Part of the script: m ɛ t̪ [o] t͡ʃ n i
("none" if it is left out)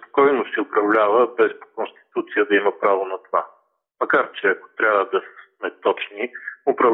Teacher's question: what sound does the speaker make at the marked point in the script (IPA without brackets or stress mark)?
ɔ